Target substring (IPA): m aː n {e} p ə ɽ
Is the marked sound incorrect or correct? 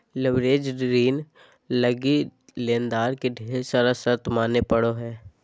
correct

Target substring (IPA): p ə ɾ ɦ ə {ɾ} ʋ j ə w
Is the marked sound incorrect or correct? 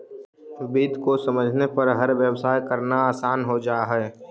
correct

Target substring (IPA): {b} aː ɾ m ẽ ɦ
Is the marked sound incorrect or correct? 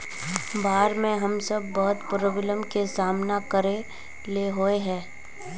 correct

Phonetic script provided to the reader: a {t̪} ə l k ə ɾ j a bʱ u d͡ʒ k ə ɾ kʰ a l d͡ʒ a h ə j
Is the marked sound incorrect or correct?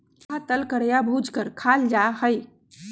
correct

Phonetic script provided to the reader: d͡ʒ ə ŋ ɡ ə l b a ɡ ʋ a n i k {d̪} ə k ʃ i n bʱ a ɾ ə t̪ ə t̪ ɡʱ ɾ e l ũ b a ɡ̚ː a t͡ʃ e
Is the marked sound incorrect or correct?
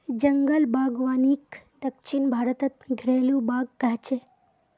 correct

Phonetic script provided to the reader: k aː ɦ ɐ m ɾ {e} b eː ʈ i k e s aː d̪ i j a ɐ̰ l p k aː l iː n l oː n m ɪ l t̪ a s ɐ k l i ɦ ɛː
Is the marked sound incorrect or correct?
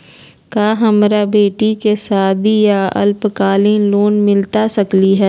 incorrect: a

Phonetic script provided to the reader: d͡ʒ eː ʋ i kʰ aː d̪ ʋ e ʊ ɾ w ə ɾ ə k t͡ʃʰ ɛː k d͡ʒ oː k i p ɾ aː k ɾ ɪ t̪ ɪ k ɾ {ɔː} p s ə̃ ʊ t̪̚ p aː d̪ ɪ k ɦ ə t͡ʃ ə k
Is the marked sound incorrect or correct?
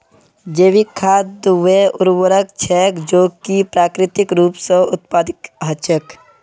incorrect: uː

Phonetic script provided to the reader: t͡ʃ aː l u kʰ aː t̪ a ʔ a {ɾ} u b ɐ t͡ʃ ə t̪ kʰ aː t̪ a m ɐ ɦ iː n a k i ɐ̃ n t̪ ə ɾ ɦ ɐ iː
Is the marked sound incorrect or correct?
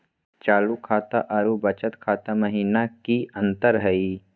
correct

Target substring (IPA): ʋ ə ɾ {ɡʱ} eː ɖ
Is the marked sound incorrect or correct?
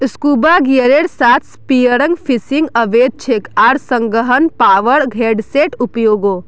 correct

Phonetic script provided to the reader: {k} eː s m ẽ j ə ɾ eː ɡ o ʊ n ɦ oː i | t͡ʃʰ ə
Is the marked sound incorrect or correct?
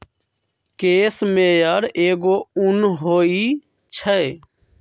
correct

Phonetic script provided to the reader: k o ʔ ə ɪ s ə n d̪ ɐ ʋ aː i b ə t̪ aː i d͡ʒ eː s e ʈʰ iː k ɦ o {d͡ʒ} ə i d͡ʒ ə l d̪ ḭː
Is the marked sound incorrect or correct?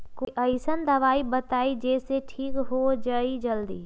correct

